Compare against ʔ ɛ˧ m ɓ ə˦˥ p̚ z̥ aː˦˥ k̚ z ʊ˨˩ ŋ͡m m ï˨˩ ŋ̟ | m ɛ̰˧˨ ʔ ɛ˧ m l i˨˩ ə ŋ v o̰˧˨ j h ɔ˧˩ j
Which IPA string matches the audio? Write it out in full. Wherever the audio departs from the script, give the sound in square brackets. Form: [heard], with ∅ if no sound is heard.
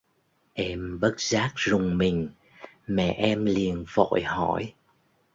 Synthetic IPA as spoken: ʔ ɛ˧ m ɓ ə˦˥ [t̚] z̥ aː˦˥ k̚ z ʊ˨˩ ŋ͡m m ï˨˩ ŋ̟ | m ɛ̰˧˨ ʔ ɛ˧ m l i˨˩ ə [n] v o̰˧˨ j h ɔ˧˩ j